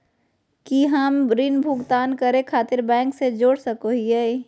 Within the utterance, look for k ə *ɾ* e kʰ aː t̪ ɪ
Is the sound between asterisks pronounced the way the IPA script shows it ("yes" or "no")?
yes